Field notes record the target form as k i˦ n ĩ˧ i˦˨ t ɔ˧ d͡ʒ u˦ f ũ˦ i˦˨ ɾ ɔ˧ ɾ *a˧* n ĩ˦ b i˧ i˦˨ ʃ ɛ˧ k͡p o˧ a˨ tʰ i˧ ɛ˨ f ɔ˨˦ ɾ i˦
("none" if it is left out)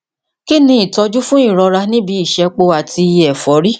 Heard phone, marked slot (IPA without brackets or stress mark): a˧